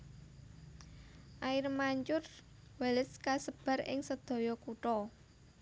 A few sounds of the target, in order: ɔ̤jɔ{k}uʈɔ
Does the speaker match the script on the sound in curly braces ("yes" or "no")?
yes